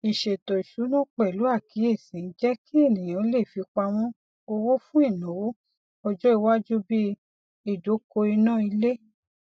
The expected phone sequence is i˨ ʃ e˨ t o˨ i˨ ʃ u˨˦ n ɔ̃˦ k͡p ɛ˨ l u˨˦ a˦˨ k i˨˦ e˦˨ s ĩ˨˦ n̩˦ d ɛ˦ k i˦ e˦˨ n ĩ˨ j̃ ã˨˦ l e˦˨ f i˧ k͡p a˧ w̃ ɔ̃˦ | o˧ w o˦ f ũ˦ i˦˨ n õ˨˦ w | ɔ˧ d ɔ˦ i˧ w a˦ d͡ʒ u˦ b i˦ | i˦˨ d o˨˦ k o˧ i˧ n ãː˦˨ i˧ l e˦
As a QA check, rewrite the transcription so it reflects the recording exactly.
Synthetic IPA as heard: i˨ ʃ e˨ t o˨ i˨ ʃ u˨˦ n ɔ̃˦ k͡p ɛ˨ l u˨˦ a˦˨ k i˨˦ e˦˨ s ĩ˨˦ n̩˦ d͡ʒ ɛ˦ k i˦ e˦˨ n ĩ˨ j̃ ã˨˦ l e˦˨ f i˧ k͡p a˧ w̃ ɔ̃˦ | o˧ w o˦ f ũ˦ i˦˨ n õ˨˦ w | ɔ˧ d͡ʒ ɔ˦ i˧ w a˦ d͡ʒ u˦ b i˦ | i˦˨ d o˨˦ k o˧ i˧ n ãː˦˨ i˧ l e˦